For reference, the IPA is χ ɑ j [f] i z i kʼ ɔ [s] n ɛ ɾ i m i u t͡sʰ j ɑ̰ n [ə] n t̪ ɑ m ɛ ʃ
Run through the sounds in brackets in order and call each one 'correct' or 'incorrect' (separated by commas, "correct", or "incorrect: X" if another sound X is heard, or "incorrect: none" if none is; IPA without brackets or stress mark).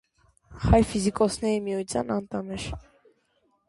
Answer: correct, correct, incorrect: ɑ